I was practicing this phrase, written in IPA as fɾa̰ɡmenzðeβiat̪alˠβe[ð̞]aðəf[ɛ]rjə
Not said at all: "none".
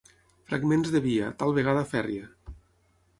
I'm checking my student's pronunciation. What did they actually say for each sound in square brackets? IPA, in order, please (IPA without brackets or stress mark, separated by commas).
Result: ɣ̞, ɛ